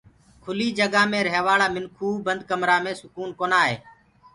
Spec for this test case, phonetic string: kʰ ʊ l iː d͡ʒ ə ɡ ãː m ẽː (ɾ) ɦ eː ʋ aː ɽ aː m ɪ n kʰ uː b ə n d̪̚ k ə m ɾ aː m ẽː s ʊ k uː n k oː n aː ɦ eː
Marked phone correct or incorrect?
correct